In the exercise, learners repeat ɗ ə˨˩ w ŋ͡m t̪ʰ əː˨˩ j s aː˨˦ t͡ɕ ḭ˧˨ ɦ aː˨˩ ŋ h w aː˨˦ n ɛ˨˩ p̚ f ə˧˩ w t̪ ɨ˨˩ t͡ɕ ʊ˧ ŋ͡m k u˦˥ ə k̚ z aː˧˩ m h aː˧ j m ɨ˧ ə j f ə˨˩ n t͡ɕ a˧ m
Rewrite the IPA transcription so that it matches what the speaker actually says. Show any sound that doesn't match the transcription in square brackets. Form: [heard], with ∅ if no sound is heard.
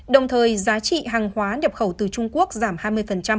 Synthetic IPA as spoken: ɗ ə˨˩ w ŋ͡m t̪ʰ əː˨˩ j [z] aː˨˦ t͡ɕ ḭ˧˨ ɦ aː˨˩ ŋ h w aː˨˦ n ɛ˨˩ p̚ [x] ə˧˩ w t̪ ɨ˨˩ t͡ɕ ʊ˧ ŋ͡m k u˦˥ ə k̚ z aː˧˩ m h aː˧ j m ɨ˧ ə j f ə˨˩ n t͡ɕ a˧ m